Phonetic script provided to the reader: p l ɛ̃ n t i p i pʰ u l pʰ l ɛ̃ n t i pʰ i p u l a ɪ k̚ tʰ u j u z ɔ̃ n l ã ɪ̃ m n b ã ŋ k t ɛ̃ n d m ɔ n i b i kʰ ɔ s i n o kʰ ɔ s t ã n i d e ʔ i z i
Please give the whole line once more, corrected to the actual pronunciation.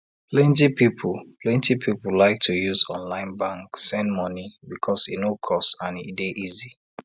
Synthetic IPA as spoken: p l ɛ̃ n t i p i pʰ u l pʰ l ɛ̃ n t i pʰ i p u l a ɪ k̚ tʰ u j u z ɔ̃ n l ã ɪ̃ n b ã ŋ k s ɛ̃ n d m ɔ n i b i kʰ ɔ s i n o kʰ ɔ s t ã n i d e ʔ i z i